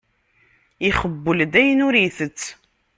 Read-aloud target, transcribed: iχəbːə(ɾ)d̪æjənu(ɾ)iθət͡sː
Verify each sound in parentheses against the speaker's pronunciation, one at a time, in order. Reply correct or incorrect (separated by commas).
incorrect, correct